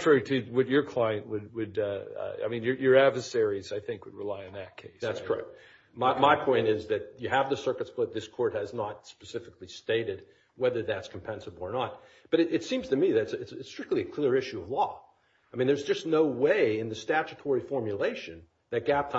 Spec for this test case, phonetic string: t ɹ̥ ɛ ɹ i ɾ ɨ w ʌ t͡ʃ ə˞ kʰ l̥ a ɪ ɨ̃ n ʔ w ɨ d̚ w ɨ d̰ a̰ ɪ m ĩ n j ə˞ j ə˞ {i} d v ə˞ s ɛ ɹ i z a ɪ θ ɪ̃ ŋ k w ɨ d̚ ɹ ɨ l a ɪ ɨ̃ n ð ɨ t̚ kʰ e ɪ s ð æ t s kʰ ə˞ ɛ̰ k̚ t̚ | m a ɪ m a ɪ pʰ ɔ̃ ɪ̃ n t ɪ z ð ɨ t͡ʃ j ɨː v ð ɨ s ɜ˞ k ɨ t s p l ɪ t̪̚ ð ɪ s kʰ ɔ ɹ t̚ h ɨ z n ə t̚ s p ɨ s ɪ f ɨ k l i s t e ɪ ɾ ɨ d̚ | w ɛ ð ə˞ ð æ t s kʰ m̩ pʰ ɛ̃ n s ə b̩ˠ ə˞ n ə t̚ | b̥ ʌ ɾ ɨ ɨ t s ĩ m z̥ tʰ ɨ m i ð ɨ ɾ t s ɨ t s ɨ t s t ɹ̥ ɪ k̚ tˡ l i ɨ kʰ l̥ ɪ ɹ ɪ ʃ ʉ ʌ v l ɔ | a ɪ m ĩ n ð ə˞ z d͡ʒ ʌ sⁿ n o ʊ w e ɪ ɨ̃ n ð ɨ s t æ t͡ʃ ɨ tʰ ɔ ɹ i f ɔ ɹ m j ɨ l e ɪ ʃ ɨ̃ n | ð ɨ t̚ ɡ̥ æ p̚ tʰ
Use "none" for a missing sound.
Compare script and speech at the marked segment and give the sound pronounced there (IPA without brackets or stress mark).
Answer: æ